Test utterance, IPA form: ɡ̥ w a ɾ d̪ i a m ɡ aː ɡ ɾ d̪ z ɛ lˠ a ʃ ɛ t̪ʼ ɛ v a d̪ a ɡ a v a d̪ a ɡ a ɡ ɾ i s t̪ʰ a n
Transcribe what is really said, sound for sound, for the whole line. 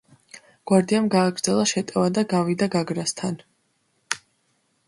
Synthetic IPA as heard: ɡ̥ w a ɾ d̪ i a m ɡ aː ɡ ɾ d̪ z ɛ lˠ a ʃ ɛ t̪ʼ ɛ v a d̪ a ɡ a v i d̪ a ɡ a ɡ ɾ a s t̪ʰ a n